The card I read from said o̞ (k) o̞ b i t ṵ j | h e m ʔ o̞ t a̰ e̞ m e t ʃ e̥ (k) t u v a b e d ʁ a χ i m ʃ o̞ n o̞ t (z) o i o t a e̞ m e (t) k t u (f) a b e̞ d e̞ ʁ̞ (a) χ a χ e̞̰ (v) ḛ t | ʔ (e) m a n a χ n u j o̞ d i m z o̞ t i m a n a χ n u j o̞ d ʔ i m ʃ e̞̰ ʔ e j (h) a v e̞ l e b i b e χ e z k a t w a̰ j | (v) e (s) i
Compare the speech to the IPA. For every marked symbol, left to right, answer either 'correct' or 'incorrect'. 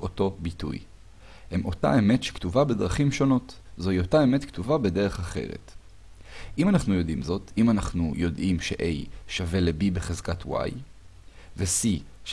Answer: incorrect, correct, correct, correct, incorrect, incorrect, incorrect, incorrect, incorrect, correct, correct

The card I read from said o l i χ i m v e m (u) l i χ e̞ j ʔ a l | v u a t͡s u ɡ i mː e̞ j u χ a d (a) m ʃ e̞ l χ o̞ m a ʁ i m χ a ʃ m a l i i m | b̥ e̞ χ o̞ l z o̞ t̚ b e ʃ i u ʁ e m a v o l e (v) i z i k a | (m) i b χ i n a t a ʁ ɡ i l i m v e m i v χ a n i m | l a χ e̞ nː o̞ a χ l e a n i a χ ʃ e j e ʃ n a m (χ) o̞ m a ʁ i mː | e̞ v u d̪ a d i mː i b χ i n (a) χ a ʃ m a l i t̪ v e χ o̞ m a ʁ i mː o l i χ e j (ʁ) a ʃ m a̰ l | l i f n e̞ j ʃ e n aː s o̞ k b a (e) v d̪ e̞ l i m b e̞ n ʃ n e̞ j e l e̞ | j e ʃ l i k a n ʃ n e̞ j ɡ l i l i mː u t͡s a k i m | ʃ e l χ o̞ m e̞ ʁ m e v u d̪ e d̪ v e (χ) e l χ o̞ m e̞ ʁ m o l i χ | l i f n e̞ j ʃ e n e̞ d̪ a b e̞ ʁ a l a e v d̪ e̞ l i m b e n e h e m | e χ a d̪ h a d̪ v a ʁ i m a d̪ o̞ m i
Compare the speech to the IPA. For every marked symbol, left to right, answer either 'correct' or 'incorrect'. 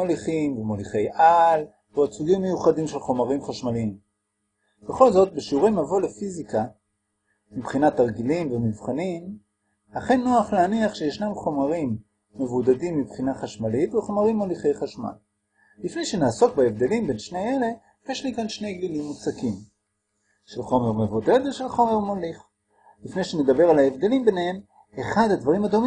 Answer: incorrect, incorrect, incorrect, correct, correct, correct, incorrect, correct, incorrect

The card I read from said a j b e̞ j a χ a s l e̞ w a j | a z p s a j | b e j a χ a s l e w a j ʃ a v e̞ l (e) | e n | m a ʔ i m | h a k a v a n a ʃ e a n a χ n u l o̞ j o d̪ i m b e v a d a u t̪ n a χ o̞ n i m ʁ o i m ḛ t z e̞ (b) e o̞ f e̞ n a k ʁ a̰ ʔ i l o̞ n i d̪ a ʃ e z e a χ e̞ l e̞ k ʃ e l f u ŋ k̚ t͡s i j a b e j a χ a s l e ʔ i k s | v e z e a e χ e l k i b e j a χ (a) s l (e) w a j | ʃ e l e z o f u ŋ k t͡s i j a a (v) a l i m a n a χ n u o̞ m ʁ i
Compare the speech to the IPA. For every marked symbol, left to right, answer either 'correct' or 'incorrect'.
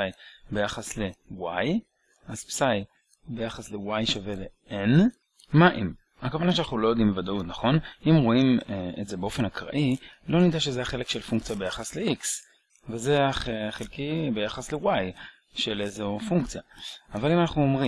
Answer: correct, correct, correct, correct, correct

